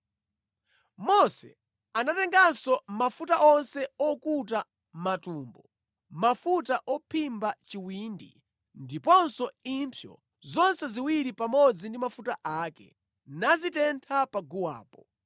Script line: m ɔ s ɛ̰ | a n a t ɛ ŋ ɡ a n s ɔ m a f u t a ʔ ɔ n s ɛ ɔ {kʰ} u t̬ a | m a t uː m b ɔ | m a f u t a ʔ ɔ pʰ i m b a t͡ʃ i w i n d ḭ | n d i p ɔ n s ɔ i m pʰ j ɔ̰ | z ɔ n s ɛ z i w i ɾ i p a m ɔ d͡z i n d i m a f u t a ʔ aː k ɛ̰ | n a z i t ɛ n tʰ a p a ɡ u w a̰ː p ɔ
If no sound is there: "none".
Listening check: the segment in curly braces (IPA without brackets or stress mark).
k